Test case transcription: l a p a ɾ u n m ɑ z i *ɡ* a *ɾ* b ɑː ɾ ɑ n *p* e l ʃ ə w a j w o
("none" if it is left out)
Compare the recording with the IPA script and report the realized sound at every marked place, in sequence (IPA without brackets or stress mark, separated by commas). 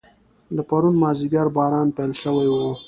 ɡ, ɾ, p